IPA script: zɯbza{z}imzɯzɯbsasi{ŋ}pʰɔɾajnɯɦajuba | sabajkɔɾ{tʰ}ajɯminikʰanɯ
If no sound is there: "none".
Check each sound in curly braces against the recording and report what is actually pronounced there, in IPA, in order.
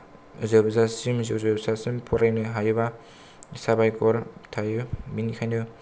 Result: s, m, tʰ

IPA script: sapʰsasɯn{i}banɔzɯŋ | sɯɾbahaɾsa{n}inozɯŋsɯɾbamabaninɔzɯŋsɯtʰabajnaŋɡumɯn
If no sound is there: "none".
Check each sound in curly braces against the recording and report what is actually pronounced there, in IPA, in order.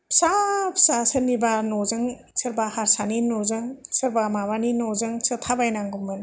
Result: i, n

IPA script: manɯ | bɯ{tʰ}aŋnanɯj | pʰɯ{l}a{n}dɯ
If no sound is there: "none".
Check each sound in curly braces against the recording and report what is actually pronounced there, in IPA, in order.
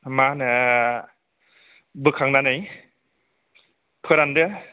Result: kʰ, ɾ, n

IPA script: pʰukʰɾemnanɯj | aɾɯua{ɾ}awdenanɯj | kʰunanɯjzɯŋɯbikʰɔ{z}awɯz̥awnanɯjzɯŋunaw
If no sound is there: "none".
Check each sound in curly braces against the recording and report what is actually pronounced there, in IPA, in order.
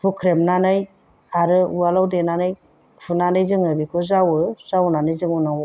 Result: l, z

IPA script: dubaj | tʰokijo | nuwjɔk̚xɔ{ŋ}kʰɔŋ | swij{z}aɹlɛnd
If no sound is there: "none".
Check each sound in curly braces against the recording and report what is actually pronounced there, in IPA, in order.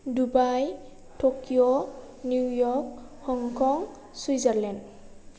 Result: ŋ, z

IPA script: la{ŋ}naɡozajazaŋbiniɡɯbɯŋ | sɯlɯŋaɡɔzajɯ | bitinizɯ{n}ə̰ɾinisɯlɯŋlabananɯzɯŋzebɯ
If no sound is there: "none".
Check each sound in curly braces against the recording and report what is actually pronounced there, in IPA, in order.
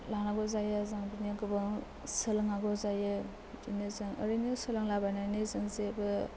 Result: ŋ, ŋ

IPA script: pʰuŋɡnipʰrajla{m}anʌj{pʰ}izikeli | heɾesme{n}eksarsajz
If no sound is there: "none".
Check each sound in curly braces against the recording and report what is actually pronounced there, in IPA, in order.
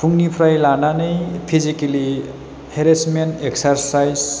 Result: n, pʰ, n

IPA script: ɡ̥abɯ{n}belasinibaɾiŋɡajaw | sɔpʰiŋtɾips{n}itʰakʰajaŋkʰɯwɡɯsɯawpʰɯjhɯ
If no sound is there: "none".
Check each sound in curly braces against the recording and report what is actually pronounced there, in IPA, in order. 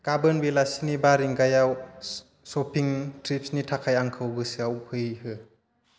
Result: n, n

